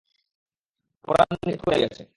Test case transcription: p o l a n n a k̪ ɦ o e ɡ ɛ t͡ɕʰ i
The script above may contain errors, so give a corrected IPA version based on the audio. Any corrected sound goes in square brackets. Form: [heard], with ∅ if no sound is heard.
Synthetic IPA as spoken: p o [ɾ] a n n [i] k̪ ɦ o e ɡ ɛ t͡ɕʰ [e]